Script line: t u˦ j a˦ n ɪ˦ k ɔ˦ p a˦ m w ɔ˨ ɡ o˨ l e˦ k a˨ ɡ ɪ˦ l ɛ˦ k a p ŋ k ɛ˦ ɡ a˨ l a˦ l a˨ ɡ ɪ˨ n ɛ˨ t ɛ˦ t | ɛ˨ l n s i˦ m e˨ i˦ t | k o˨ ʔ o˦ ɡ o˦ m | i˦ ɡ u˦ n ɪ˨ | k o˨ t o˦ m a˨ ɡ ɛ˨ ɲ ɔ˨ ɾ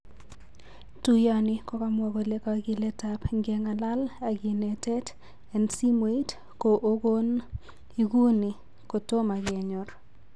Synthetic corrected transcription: t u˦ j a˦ n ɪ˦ k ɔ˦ k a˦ m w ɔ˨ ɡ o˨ l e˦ k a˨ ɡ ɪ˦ l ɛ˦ t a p ŋ ɡ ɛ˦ ŋ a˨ l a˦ l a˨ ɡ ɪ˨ n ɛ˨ t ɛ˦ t | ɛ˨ n s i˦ m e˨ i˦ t | k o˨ ʔ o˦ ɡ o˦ n | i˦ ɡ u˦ n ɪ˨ | k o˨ t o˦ m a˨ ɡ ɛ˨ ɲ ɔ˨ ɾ